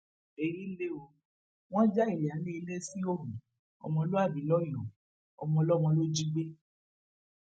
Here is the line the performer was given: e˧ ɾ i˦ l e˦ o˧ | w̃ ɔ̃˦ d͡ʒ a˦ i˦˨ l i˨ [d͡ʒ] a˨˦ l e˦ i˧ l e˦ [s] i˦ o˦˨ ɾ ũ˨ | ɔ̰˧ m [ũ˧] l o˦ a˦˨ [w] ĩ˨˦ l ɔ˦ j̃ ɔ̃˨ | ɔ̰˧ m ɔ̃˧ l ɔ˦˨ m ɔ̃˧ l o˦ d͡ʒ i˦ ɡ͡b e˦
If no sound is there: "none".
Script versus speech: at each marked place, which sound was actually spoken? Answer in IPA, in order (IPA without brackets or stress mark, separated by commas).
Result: none, s, ɔ̃˧, b